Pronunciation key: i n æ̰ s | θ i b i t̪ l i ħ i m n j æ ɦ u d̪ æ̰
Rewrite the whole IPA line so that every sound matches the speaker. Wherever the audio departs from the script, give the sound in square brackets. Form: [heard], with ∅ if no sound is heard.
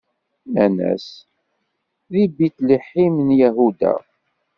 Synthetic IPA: [æ] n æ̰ s | [ð] i b i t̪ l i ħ i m n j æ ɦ u d̪ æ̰